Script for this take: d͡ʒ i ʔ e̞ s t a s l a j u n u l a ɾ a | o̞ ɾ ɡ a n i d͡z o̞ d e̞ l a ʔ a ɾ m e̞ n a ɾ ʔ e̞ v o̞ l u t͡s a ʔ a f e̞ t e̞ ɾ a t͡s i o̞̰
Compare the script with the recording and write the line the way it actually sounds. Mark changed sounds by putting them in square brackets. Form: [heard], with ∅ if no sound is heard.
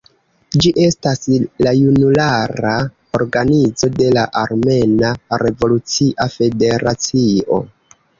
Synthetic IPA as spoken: d͡ʒ i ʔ e̞ s t a s l a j u n u l a ɾ a | o̞ ɾ ɡ a n i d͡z o̞ d e̞ l a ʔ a ɾ m e̞ n a ɾ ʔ e̞ v o̞ l u t͡s [i] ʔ a f e̞ [d] e̞ ɾ a t͡s i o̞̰